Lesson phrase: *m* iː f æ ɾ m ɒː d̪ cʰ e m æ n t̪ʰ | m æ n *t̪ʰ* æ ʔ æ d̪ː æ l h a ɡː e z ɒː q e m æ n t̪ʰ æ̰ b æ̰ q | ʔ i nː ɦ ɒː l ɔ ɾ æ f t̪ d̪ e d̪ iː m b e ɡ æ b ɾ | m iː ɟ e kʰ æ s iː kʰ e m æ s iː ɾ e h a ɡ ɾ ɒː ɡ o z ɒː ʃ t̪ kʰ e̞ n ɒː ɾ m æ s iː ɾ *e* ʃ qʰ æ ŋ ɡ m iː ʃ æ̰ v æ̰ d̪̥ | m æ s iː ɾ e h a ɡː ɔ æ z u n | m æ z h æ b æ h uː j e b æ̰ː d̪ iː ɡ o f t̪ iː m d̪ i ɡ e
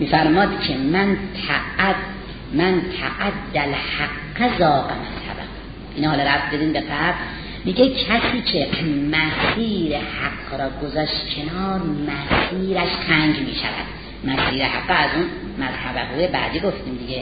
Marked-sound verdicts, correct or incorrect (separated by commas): correct, correct, incorrect